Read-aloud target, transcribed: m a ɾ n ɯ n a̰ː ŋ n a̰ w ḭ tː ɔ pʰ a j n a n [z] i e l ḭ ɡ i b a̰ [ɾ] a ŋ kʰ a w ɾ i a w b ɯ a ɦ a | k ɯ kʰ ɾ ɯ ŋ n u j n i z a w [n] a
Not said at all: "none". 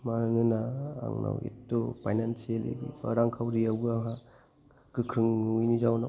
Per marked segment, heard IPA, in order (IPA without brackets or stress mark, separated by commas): s, ɾ, n